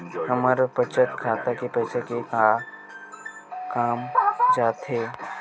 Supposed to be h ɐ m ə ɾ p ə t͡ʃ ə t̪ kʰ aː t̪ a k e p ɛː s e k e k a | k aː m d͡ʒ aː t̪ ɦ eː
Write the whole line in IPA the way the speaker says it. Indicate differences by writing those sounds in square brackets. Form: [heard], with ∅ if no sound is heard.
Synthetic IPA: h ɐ m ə ɾ p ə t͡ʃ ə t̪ kʰ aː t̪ a k e p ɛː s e k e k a | k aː m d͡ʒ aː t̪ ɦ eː